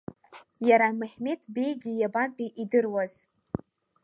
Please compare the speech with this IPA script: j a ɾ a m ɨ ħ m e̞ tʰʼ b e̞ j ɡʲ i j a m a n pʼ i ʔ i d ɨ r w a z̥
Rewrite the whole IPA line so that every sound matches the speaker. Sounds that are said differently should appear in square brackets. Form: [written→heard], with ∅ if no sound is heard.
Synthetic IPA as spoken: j a ɾ a m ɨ ħ m e̞ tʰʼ b e̞ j ɡʲ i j a [m→b] a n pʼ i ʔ i d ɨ r w a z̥